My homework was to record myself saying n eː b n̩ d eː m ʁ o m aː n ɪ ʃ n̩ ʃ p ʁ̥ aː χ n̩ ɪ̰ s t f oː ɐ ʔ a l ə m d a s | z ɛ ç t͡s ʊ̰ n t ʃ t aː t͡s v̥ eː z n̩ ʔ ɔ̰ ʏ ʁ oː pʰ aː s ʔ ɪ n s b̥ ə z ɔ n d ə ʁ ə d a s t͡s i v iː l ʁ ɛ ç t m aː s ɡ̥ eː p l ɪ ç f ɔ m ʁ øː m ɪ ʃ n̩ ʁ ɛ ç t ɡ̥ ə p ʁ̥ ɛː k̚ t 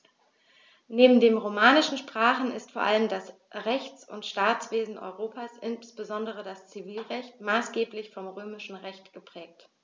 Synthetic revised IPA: n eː b m̩ d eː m ʁ o m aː n ɪ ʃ n̩ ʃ p ʁ̥ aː χ n̩ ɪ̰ s t f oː ɐ ʔ a l ə m d a s | ʁ ɛ ç t͡s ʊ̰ n t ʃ t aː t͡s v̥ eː z n̩ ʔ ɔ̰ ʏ ʁ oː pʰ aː s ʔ ɪ n s b̥ ə z ɔ n d ə ʁ ə d a s t͡s i v iː l ʁ ɛ ç t m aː s ɡ̥ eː p l ɪ ç f ɔ m ʁ øː m ɪ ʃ n̩ ʁ ɛ ç t ɡ̥ ə p ʁ̥ ɛː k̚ t